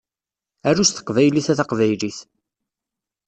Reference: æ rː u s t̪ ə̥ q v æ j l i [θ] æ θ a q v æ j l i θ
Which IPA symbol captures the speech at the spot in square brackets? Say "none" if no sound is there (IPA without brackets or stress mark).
θ